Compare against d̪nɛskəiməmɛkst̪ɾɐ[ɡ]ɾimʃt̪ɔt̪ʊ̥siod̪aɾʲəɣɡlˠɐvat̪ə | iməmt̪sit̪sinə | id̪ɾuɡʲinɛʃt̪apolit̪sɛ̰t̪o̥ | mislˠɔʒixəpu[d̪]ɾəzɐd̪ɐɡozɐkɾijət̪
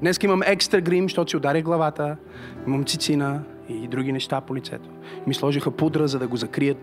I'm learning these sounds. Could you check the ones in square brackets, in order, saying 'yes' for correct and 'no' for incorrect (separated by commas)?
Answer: yes, yes